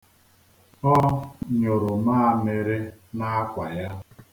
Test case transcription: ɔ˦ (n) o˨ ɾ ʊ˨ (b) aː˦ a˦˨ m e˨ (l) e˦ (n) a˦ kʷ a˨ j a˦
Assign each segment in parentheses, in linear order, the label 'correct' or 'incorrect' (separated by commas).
incorrect, incorrect, incorrect, correct